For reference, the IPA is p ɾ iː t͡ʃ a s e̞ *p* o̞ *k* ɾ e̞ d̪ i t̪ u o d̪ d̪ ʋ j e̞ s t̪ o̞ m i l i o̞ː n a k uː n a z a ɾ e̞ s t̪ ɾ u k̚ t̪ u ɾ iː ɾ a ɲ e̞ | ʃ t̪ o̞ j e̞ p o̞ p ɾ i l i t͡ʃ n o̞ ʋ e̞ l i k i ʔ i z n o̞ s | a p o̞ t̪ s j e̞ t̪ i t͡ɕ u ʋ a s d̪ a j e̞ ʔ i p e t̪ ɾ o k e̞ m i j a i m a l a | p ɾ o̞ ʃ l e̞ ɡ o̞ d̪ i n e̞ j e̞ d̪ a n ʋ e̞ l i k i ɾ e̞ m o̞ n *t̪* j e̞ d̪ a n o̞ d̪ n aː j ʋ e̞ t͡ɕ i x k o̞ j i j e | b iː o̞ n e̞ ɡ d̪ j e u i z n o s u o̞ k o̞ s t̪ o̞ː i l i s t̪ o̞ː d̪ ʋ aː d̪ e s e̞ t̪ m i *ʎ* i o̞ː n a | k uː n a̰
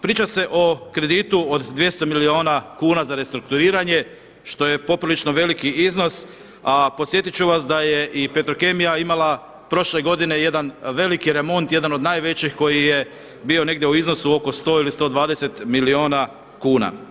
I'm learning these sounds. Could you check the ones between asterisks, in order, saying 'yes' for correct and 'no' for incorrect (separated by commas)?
no, yes, yes, no